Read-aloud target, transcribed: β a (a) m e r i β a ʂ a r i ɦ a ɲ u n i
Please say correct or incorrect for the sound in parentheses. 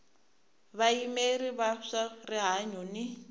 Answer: incorrect